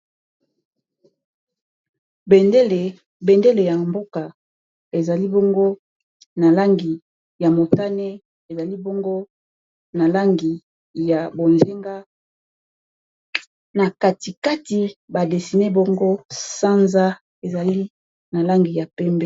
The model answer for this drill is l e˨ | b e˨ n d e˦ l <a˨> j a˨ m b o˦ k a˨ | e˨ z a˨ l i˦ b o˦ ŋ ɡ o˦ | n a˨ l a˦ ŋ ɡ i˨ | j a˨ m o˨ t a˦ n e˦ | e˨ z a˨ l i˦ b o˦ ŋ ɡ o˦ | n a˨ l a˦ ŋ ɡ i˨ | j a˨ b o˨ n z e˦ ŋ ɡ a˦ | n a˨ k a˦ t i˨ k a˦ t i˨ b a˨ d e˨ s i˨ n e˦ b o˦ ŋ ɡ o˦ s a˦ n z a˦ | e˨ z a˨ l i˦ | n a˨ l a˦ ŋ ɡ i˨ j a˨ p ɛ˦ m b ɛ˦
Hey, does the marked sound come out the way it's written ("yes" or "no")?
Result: no